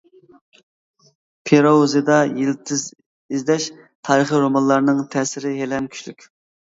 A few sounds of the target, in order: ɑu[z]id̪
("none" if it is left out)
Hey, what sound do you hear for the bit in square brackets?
z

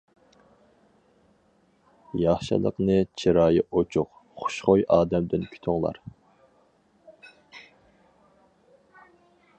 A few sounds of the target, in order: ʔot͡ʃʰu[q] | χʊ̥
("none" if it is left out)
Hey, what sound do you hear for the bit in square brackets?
q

